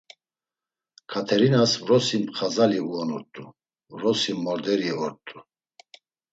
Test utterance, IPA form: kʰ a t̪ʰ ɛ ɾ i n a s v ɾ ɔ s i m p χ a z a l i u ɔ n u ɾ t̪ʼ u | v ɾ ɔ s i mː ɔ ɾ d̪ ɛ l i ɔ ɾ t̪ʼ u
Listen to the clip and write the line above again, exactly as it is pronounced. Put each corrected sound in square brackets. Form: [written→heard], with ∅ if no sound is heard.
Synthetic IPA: kʰ a t̪ʰ ɛ ɾ i n a s v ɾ ɔ s i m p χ a z a l i u ɔ n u ɾ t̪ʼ u | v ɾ ɔ s i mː ɔ ɾ d̪ ɛ [l→ɾ] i ɔ ɾ t̪ʼ u